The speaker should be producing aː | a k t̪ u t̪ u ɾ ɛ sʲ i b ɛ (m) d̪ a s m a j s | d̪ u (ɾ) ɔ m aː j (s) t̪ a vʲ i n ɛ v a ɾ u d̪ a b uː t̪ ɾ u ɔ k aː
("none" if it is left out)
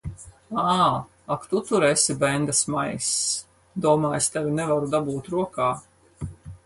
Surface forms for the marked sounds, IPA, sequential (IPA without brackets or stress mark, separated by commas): n, none, s